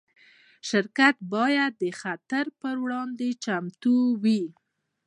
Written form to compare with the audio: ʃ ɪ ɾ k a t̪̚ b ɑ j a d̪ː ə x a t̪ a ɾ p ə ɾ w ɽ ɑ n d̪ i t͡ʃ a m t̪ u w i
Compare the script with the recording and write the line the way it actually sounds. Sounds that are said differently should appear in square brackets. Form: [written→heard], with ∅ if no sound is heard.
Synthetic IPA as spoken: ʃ ɪ ɾ k a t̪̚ b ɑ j a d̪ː ə x a t̪ a ɾ p ə ɾ w ɽ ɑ n d̪ [i→e] t͡ʃ a m t̪ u w i